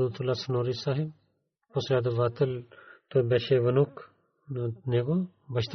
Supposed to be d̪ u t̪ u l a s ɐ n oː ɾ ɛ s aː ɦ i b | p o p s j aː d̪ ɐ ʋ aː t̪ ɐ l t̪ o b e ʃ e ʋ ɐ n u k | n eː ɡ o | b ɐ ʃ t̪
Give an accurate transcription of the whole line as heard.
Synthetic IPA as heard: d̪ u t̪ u l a s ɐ n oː ɾ i s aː ɦ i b | p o s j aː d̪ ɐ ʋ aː t̪ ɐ l t̪ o b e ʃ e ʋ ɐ n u k | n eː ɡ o | b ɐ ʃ t̪